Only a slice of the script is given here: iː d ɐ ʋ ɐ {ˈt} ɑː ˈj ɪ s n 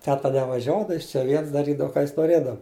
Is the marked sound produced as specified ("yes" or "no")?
no